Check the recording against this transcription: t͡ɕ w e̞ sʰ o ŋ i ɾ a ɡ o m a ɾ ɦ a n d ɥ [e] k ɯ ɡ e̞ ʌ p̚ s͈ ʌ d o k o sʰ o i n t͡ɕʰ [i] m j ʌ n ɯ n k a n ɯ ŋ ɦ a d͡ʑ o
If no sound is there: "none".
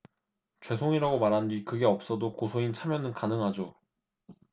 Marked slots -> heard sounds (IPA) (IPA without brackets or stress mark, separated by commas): i, a